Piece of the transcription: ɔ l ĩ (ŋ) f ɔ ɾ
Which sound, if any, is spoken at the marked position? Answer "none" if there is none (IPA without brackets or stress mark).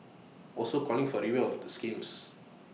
ŋ